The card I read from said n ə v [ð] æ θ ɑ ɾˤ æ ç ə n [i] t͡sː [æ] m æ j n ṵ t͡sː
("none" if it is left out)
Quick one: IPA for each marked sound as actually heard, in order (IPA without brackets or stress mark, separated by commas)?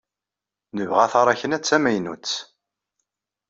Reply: ʁ, æ, æ